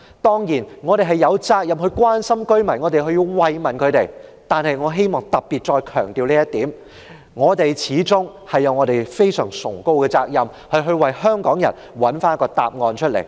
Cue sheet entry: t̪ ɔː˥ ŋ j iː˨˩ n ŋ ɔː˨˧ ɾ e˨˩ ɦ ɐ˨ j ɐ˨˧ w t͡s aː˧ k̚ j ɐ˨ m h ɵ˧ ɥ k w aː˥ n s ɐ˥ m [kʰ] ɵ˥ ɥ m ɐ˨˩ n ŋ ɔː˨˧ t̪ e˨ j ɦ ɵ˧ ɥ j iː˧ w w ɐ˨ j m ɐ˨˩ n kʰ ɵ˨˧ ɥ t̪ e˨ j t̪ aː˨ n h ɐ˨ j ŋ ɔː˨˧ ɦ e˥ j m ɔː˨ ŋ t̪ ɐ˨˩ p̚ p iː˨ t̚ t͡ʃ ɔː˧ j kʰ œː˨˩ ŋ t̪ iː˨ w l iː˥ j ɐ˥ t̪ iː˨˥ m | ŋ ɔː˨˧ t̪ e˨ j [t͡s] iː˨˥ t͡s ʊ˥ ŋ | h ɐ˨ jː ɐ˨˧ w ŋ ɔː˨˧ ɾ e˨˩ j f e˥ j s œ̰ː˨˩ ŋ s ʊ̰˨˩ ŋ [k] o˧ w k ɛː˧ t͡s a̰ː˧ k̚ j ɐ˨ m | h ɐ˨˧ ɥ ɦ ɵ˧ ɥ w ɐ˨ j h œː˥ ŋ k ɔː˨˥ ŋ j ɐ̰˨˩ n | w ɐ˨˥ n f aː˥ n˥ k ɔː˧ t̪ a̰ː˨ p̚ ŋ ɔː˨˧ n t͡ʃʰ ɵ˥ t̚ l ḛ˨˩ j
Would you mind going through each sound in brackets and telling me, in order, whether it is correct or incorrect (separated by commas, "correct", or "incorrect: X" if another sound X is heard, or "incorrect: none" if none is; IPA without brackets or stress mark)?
incorrect: k, incorrect: t͡sʰ, correct